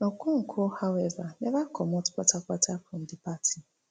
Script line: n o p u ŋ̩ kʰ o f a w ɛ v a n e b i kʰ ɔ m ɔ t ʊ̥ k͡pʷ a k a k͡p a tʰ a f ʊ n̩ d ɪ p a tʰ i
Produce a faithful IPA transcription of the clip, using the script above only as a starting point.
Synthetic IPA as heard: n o k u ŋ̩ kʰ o h a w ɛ v a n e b a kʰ ɔ m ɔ t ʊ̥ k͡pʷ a t a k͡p a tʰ a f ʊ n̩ d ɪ p a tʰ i